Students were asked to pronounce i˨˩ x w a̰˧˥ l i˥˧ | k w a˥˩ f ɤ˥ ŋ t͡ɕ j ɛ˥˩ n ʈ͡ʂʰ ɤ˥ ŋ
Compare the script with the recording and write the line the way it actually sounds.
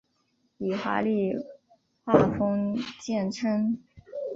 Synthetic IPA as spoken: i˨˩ x w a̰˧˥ l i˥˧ | x w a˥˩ f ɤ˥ ŋ t͡ɕ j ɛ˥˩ n ʈ͡ʂʰ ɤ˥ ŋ